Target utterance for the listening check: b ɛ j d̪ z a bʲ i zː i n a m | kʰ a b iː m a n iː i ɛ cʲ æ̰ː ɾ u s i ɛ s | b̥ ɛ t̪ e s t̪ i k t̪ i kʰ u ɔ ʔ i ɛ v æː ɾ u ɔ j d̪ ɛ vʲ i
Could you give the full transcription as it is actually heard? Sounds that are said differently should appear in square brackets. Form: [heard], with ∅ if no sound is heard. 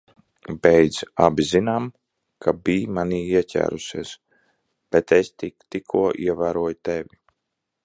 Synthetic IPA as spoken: b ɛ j d̪ z a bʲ i [z] i n a m | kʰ a b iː m a n iː i ɛ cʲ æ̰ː ɾ u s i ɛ s | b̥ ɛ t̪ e s t̪ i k t̪ i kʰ u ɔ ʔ i ɛ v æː ɾ u ɔ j [t̪] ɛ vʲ i